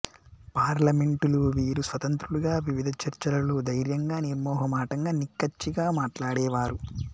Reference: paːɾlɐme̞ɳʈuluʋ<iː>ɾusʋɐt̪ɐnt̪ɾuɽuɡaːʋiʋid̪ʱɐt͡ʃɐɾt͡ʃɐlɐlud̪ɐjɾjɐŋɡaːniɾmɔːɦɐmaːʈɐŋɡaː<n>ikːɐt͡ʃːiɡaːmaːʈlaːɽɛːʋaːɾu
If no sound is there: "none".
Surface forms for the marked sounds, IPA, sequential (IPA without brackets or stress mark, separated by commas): iː, n